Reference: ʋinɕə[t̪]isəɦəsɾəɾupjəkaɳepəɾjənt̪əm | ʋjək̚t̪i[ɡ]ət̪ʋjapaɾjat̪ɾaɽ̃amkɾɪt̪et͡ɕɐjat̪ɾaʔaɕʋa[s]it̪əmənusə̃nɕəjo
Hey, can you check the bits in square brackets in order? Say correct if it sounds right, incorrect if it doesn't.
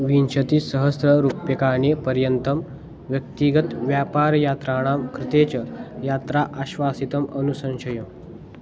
correct, correct, correct

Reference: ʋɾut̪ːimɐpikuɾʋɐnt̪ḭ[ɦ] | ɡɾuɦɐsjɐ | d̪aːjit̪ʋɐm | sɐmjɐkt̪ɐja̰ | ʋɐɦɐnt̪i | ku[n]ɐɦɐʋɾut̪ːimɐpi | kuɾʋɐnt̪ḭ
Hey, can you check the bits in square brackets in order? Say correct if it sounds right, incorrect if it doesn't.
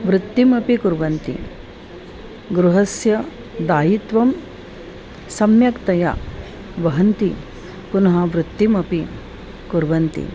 incorrect: none, correct

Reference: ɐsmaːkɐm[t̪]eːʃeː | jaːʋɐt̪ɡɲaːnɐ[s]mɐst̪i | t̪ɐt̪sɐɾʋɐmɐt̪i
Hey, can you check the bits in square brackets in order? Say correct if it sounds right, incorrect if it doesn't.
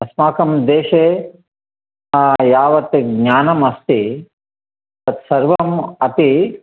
incorrect: d̪, incorrect: none

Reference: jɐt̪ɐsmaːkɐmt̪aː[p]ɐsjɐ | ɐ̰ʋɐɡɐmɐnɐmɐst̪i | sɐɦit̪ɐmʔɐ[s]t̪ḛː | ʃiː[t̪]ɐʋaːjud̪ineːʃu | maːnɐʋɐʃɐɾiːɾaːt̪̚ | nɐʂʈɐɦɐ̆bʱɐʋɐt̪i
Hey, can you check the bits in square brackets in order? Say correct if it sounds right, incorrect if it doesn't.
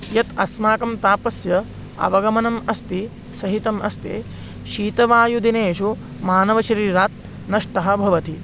correct, correct, correct

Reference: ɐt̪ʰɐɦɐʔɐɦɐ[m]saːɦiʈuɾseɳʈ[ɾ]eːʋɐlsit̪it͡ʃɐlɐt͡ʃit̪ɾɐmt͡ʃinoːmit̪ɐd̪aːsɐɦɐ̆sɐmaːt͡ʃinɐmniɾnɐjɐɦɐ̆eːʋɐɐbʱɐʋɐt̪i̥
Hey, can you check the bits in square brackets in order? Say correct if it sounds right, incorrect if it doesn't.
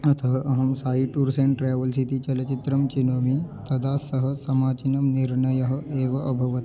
correct, correct

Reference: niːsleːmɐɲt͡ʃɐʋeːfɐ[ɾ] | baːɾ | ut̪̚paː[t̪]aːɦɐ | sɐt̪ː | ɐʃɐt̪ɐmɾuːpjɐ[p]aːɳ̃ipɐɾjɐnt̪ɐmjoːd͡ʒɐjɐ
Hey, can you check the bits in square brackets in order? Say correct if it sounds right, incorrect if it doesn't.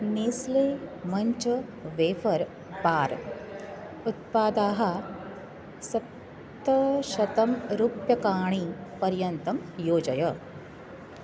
correct, incorrect: d̪, incorrect: k

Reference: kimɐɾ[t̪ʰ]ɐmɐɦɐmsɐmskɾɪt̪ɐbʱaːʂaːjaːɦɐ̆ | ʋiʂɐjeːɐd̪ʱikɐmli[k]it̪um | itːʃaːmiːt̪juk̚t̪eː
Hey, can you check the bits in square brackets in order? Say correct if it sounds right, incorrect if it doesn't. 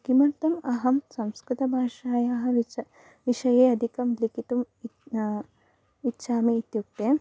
incorrect: t̪, correct

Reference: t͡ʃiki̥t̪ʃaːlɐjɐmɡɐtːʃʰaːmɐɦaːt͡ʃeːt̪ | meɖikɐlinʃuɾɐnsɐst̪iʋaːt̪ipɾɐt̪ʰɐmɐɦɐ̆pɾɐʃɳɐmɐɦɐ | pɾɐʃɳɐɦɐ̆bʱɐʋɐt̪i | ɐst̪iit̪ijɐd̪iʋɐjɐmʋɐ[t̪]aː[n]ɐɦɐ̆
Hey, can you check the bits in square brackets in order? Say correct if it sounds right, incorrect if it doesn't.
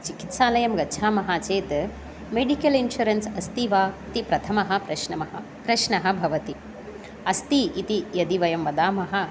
incorrect: d̪, incorrect: m

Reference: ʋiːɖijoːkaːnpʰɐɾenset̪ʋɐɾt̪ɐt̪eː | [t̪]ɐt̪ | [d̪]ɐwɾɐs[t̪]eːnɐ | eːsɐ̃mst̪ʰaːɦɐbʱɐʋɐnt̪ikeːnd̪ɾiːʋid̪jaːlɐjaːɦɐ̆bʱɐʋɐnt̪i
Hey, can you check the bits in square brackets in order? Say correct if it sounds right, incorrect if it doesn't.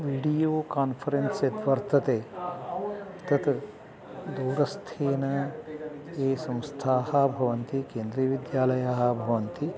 correct, correct, incorrect: t̪ʰ

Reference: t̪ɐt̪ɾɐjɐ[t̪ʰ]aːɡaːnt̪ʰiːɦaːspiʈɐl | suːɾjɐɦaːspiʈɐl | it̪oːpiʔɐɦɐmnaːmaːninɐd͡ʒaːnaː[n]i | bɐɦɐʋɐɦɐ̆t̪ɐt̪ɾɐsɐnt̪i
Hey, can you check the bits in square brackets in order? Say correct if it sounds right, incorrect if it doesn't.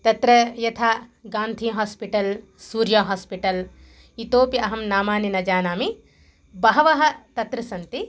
correct, incorrect: m

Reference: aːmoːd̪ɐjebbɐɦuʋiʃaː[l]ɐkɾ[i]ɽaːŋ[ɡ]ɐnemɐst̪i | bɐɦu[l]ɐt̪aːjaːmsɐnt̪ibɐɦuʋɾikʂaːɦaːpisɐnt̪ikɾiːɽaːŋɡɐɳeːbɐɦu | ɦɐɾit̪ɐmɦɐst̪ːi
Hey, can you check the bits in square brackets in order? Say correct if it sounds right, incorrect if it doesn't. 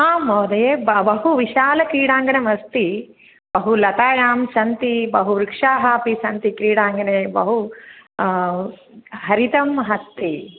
correct, incorrect: iː, correct, correct

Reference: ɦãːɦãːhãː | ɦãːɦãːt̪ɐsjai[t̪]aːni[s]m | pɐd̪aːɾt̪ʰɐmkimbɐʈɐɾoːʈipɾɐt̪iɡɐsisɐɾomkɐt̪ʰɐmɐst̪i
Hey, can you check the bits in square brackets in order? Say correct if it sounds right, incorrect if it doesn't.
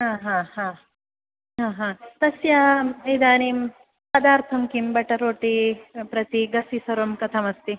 incorrect: d̪, incorrect: none

